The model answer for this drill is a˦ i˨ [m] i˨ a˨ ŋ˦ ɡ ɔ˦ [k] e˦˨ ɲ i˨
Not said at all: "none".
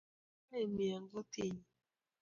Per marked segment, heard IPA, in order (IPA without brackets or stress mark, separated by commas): m, t